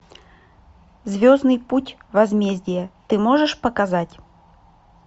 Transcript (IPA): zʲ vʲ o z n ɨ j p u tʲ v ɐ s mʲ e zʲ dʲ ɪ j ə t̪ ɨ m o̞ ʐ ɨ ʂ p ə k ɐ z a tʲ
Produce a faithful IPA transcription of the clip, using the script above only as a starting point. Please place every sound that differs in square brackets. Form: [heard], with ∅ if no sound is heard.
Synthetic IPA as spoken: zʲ vʲ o z n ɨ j p u tʲ v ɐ [z] mʲ e zʲ dʲ ɪ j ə t̪ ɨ m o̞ ʐ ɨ ʂ p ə k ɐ z a tʲ